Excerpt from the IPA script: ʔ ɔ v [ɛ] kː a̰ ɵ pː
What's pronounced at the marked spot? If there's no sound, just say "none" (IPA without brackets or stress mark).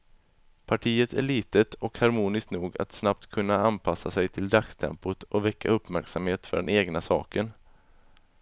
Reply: ɛ